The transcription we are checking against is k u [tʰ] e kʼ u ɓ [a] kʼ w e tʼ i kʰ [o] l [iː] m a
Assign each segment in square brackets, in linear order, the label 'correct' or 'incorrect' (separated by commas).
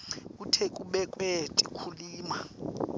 correct, incorrect, incorrect, correct